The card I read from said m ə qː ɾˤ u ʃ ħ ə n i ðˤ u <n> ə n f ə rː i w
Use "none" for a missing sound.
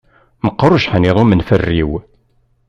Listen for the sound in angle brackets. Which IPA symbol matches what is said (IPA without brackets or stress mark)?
m